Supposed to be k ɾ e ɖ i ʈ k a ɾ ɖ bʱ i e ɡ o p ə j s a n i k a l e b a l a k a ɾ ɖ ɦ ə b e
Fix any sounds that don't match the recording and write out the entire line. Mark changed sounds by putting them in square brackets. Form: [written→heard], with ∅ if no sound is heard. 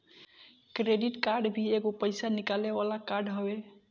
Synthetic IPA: k ɾ e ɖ i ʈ k a ɾ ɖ bʱ i e ɡ o p ə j s a n i k a l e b a l a k a ɾ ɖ ɦ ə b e